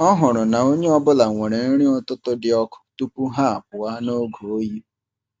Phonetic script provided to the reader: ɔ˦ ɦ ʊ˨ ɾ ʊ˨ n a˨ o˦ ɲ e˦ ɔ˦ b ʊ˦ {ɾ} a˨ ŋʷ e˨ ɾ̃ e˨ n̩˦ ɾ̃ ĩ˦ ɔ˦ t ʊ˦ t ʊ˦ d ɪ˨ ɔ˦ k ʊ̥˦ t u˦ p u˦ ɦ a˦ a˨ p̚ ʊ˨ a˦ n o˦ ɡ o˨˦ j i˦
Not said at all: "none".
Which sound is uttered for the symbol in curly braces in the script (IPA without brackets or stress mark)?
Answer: l